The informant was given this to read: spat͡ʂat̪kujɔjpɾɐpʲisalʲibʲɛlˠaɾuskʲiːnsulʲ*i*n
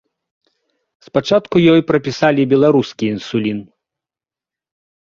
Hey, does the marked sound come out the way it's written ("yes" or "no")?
yes